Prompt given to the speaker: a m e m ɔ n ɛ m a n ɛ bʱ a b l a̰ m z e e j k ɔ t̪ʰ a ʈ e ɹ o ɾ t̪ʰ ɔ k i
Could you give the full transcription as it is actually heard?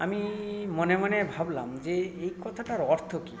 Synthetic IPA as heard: a m i m ɔ n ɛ m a n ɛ bʱ a b l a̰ m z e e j k ɔ t̪ʰ a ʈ a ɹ ɔ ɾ t̪ʰ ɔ k i